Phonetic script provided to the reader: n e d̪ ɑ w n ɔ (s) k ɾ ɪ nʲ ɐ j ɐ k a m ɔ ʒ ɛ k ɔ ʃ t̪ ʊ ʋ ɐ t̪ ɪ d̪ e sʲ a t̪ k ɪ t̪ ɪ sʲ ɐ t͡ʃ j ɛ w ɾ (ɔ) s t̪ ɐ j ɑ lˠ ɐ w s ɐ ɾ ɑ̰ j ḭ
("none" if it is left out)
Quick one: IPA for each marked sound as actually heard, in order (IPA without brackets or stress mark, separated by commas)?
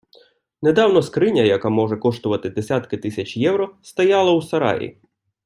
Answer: s, ɔ